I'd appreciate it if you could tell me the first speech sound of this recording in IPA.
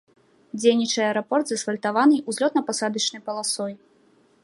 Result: d͡zʲ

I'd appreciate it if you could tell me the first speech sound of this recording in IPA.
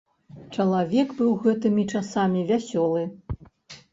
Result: t͡ʂ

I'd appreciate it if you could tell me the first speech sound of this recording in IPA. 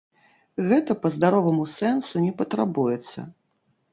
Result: ɣ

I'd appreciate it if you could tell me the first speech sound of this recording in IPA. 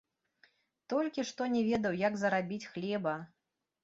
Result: t̪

